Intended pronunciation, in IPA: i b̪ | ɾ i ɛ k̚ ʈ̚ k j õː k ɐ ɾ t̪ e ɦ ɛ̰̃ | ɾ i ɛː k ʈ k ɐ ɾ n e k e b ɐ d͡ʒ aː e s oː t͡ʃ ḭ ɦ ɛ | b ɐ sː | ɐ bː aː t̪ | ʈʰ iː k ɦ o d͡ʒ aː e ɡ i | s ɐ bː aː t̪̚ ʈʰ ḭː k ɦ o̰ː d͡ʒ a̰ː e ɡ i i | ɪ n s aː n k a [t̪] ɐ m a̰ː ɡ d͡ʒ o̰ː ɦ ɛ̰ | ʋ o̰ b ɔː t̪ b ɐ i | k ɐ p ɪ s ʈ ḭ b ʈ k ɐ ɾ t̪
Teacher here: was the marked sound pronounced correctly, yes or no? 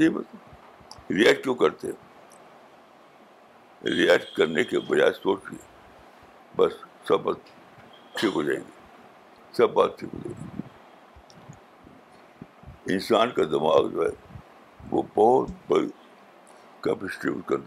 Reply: no